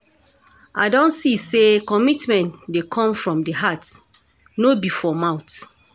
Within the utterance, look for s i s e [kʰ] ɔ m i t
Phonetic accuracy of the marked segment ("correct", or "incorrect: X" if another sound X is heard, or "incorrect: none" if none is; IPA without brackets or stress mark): incorrect: k